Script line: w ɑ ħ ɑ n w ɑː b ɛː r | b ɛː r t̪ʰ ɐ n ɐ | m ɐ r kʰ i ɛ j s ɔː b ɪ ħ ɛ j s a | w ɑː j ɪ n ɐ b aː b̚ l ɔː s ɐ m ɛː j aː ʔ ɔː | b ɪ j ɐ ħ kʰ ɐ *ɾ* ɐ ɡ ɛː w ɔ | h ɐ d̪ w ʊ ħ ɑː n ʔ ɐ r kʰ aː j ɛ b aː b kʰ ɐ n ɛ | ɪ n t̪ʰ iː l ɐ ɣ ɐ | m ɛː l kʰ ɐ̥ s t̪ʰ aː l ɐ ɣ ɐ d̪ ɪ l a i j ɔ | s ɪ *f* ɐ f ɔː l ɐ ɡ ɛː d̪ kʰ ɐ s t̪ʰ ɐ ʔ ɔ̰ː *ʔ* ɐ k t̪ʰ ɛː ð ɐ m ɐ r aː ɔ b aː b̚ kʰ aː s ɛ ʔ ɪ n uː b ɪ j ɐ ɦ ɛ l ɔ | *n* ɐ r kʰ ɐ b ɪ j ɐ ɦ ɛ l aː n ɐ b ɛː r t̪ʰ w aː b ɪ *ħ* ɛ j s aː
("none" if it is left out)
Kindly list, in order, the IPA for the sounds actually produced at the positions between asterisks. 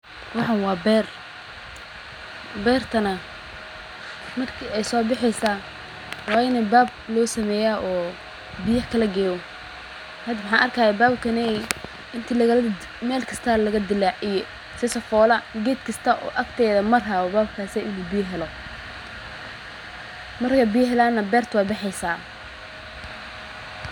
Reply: l, s, ʔ, m, ħ

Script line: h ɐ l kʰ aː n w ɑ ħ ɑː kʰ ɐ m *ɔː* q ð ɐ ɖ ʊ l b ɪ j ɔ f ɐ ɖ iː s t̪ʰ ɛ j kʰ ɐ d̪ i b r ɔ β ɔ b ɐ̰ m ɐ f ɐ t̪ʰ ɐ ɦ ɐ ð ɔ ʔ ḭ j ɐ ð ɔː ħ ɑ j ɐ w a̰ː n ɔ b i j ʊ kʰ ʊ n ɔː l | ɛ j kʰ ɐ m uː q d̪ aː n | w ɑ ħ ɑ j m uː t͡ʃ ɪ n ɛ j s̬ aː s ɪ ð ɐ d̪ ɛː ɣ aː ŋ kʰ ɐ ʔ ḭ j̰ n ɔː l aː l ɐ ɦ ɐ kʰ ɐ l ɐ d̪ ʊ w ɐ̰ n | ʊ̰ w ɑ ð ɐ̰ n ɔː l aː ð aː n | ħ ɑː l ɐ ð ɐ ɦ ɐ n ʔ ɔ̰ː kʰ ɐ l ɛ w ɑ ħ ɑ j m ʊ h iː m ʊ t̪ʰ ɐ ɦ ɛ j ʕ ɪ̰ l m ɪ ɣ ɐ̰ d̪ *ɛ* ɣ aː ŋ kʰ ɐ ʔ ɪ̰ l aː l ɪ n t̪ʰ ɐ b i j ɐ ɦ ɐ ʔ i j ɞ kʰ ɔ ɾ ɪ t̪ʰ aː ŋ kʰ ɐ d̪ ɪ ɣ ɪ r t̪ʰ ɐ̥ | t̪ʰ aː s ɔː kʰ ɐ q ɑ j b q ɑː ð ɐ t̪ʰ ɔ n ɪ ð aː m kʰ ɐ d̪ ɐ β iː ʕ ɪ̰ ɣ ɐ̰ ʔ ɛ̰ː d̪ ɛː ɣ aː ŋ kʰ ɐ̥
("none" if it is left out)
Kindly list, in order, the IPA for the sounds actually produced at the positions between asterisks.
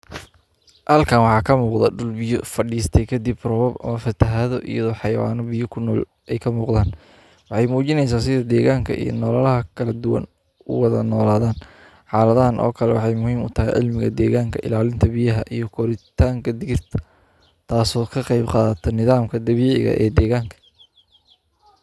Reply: uː, ɛː

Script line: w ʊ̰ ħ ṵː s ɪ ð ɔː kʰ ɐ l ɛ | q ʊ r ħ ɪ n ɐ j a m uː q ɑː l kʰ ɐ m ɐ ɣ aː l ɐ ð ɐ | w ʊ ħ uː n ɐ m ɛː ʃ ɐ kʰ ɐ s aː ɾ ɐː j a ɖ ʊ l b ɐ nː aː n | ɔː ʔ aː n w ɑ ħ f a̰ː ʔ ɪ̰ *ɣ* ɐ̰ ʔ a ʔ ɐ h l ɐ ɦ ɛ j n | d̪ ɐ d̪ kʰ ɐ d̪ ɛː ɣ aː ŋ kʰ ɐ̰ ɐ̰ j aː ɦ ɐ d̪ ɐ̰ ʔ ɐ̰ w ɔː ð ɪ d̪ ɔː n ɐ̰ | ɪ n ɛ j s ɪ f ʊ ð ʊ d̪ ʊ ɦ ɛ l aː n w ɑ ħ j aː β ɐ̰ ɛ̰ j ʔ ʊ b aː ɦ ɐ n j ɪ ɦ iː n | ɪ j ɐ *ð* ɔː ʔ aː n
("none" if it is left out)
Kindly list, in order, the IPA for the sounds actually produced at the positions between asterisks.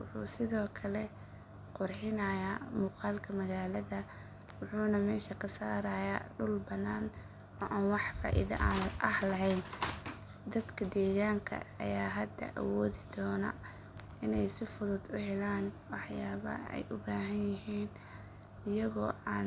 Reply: ð, ɣ

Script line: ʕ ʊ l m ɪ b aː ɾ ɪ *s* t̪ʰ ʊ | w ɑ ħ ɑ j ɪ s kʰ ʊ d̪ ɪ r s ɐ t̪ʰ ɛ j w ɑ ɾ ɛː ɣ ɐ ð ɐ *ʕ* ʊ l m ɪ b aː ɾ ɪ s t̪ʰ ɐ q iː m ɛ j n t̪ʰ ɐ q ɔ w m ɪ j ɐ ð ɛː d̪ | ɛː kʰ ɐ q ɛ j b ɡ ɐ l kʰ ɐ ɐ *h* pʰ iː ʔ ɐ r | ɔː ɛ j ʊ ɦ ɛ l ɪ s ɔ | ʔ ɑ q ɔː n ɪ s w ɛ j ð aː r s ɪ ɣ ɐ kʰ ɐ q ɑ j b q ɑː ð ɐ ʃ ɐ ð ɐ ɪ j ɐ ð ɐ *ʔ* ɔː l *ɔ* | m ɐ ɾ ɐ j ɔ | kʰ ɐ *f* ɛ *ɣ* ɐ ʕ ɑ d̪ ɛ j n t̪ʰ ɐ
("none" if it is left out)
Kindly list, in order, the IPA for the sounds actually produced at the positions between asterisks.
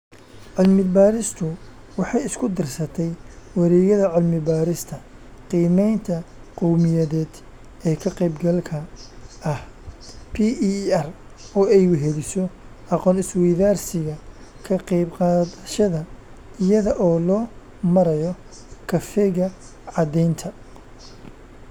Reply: s, ʕ, h, ʔ, ɔː, f, ɣ

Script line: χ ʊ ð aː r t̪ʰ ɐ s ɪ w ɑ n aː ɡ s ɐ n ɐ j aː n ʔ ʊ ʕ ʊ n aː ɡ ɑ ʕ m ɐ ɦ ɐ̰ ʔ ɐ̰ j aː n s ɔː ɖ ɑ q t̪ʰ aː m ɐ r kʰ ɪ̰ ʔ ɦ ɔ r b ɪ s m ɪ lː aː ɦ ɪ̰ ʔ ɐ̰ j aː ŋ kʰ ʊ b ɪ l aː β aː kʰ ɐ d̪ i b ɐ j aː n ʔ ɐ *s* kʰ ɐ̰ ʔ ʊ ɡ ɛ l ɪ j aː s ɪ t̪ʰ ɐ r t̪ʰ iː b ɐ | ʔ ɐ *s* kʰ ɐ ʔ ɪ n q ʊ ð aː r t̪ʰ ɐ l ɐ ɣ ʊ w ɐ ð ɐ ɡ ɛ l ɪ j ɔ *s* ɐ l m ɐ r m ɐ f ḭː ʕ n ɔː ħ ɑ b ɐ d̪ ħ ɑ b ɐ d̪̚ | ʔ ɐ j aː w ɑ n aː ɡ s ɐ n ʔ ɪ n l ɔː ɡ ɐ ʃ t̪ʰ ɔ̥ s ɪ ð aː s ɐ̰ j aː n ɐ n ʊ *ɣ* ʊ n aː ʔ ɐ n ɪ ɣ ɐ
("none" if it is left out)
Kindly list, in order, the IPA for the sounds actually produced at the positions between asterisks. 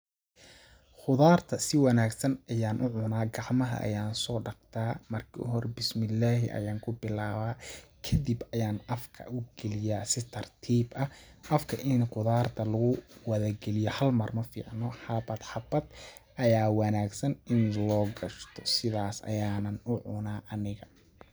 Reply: f, f, h, ʕ

